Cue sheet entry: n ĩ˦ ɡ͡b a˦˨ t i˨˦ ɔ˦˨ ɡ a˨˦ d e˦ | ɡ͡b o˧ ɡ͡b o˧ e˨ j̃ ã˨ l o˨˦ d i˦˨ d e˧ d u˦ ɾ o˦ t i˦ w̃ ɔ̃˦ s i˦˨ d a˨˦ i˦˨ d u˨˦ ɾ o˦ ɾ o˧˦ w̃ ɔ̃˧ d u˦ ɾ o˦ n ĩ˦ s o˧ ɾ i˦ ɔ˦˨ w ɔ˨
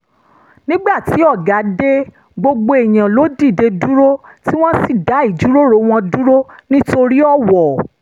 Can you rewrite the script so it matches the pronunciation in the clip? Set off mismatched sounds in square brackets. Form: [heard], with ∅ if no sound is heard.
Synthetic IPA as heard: n ĩ˦ ɡ͡b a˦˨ t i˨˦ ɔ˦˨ ɡ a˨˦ d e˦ | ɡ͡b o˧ ɡ͡b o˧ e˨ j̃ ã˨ l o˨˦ d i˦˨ d e˧ d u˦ ɾ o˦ t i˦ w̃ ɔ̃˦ s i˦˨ d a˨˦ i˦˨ [d͡ʒ] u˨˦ ɾ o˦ ɾ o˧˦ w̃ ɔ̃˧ d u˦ ɾ o˦ n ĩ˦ [t] o˧ ɾ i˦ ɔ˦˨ w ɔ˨